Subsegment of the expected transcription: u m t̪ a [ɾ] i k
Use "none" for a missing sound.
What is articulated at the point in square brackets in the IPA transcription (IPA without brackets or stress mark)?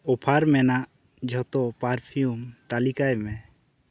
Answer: l